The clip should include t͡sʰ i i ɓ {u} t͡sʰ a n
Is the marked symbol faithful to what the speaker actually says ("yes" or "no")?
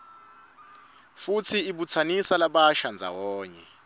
yes